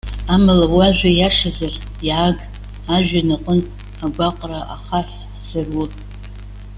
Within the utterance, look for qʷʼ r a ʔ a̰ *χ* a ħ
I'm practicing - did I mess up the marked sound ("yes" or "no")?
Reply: no